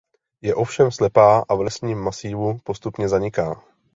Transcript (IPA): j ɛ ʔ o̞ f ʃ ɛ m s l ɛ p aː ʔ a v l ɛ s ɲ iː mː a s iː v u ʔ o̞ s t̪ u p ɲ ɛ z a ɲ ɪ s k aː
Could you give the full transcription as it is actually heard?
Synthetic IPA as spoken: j ɛ ʔ o̞ f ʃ ɛ m s l ɛ p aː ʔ a v l ɛ s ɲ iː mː a s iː v u p o̞ s t̪ u p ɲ ɛ z a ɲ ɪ k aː